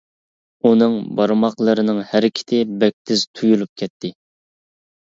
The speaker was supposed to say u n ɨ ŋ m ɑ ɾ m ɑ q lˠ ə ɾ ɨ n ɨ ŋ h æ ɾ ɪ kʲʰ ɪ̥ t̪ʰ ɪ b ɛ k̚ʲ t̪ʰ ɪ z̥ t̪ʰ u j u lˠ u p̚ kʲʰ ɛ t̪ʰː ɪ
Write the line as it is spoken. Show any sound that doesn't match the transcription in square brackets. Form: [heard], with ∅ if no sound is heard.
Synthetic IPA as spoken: u n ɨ ŋ [b] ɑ ɾ m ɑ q lˠ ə ɾ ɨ n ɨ ŋ h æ ɾ ɪ kʲʰ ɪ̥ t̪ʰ ɪ b ɛ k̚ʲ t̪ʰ ɪ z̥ t̪ʰ u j u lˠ u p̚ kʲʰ ɛ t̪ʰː ɪ